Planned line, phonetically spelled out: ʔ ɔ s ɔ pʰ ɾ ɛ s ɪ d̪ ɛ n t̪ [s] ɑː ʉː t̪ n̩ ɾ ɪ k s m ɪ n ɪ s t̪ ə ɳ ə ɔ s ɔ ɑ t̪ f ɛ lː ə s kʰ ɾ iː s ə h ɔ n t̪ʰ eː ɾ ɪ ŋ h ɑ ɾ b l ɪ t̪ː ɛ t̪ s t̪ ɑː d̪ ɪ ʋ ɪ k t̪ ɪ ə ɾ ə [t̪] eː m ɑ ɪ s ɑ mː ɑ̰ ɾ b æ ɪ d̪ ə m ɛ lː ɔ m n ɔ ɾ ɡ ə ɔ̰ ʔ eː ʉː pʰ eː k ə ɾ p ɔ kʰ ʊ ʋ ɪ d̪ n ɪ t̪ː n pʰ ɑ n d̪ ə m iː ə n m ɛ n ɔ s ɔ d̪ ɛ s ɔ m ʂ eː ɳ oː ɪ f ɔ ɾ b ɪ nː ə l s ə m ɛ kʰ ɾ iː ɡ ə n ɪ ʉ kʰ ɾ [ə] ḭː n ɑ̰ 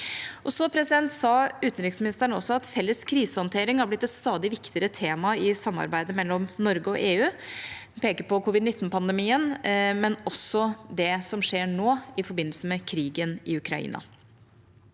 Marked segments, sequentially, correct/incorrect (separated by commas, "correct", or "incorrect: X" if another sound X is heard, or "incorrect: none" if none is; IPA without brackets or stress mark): correct, incorrect: t̪ʰ, incorrect: ɑ